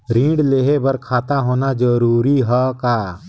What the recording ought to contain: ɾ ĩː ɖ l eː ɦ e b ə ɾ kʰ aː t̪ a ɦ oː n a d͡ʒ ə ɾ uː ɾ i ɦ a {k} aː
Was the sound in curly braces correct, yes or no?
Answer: yes